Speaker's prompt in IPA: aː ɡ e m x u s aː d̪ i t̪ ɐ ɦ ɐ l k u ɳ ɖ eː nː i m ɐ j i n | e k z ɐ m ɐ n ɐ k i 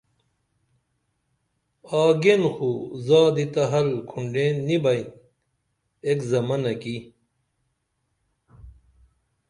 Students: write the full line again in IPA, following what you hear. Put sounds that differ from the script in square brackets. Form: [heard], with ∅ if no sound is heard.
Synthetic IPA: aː ɡ e [n] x u [z] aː d̪ i t̪ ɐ ɦ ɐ l [kʰ] u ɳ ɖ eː nː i [b] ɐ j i n | e k z ɐ m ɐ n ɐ k i

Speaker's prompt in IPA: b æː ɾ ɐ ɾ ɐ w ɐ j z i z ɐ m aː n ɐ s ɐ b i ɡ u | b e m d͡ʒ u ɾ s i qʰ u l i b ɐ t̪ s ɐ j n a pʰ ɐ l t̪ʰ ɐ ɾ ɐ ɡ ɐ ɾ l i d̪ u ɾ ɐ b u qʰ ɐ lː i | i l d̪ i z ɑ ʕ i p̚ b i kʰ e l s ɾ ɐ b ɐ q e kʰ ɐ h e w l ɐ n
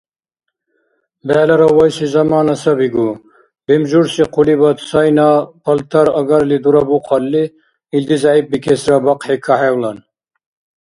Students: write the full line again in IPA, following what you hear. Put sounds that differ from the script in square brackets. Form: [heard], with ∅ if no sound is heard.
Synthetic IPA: b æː [l] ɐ ɾ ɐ w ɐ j [s] i z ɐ m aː n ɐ s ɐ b i ɡ u | b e m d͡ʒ u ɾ s i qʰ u l i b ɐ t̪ s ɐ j n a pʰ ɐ l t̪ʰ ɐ ɾ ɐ ɡ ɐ ɾ l i d̪ u ɾ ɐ b u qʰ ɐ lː i | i l d̪ i z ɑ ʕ i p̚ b i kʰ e [∅] s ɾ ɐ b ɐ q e kʰ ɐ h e w l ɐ n

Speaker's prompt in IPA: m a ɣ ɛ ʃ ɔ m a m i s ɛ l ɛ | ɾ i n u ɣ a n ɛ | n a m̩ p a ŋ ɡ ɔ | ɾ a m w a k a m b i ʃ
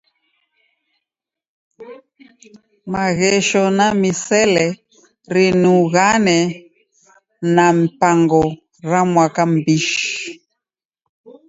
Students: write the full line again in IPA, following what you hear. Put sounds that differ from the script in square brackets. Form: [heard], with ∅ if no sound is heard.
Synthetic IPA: m a ɣ ɛ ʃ ɔ [n] a m i s ɛ l ɛ | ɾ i n u ɣ a n ɛ | n a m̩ p a ŋ ɡ ɔ | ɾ a m w a k a m b i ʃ

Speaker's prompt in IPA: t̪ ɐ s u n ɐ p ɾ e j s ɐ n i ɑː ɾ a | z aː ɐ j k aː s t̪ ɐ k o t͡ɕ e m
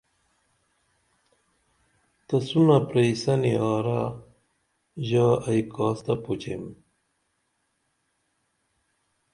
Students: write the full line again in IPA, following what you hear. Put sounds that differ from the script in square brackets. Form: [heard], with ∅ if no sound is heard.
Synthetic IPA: t̪ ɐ s u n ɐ p ɾ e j s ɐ n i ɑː ɾ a | [ʑ] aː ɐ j k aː s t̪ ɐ [p] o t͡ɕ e m

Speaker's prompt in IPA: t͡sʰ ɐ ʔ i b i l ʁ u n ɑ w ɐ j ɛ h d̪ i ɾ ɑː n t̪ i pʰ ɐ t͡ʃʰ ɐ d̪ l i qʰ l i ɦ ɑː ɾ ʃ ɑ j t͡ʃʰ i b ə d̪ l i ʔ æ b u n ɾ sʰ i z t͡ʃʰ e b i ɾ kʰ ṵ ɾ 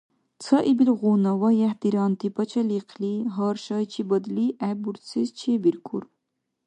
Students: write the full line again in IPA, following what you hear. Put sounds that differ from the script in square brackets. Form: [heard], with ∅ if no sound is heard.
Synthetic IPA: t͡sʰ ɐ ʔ i b i l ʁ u n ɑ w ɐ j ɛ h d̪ i ɾ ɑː n t̪ i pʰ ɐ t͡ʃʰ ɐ [∅] l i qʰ l i ɦ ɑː ɾ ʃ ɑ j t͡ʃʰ i b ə d̪ l i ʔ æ b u [∅] ɾ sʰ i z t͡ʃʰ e b i ɾ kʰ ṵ ɾ

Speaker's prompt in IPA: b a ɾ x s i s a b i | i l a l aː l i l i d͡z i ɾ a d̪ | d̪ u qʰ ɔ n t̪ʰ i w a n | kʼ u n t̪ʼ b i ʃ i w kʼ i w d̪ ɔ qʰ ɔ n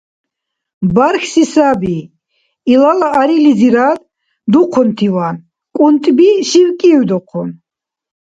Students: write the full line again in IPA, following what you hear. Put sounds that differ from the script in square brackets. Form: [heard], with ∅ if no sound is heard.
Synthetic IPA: b a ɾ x s i s a b i | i l a l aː [ɾ] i l i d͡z i ɾ a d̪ | d̪ u qʰ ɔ n t̪ʰ i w a n | kʼ u n t̪ʼ b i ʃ i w kʼ i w d̪ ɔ qʰ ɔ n

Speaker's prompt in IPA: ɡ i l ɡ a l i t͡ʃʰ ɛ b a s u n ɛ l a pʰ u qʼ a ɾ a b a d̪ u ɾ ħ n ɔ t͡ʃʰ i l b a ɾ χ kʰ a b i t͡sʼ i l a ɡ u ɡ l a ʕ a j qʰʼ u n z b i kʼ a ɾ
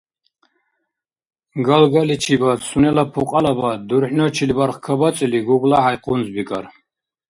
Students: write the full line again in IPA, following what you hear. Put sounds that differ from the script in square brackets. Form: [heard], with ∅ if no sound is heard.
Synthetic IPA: ɡ [a] l ɡ a l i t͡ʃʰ [i] b a s u n ɛ l a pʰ u qʼ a [l] a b a d̪ u ɾ ħ n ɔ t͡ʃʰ i l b a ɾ χ kʰ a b [a] t͡sʼ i l [i] ɡ u ɡ l a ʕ a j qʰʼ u n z b i kʼ a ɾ

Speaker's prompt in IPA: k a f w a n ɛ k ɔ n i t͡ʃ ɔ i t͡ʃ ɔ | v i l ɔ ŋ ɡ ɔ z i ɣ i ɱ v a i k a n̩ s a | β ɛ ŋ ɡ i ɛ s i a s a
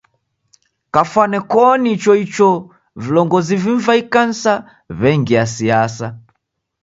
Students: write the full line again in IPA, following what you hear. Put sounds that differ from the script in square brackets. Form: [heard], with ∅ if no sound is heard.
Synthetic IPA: k a f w a n ɛ k ɔ n i t͡ʃ ɔ i t͡ʃ ɔ | v i l ɔ ŋ ɡ ɔ z i [v] i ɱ v a i k a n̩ s a | β ɛ ŋ ɡ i [a] s i a s a

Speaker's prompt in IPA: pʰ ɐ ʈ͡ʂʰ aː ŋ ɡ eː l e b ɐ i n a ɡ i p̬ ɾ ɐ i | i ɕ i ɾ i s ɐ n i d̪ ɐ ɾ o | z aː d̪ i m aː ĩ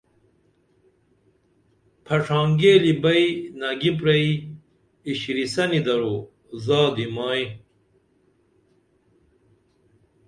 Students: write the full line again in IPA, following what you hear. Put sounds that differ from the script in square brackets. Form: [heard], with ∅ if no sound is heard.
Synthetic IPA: pʰ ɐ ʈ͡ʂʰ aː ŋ ɡ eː l [i] b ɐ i n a ɡ i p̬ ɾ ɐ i | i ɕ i ɾ i s ɐ n i d̪ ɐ ɾ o | z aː d̪ i m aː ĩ

